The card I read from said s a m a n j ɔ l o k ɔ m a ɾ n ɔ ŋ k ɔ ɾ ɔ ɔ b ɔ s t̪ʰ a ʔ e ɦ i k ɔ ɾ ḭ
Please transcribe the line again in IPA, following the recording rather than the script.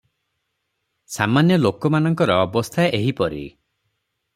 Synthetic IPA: s a m a n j ɔ l o k ɔ m a n ɔ ŋ k ɔ ɾ ɔ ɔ b ɔ s t̪ʰ a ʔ e ɦ i p ɔ ɾ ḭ